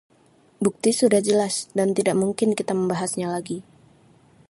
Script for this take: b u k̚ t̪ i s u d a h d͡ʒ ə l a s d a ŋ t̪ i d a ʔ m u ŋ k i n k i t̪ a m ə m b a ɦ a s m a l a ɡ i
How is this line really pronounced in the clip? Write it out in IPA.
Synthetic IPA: b u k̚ t̪ i s u d a h d͡ʒ ə l a s d a n t̪ i d a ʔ m u ŋ k ɪ n k i t̪ a m ə m b a ɦ a s ɲ a l a ɡ i